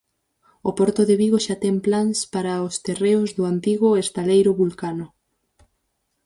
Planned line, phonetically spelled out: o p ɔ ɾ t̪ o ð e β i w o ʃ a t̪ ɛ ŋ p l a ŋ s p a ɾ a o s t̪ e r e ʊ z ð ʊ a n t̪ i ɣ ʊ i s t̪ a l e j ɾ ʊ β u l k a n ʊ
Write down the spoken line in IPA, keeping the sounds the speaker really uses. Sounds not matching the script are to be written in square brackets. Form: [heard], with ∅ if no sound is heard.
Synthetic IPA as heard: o p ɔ ɾ t̪ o ð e β i [ɣ] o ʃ a t̪ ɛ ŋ p l a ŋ s p a ɾ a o s t̪ e r e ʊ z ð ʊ a n t̪ i ɣ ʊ [e] s t̪ a l e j ɾ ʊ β u l k a n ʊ